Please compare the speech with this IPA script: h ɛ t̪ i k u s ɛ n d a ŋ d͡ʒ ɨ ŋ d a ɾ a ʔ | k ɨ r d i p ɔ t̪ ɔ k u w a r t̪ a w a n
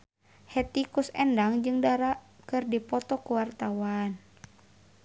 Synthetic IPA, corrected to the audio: h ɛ t̪ i k u s ɛ n d a ŋ d͡ʒ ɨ ŋ d a ɾ a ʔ | k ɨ r d i p ɔ t̪ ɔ k u w a r t̪ a w a n